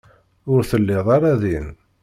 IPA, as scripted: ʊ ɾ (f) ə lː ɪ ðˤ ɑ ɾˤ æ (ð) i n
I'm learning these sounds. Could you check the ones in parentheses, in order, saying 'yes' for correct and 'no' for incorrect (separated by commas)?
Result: no, yes